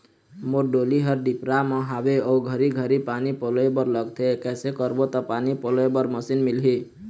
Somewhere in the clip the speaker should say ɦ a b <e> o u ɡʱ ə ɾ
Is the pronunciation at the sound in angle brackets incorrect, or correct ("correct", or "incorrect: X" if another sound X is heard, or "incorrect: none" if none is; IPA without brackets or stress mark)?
correct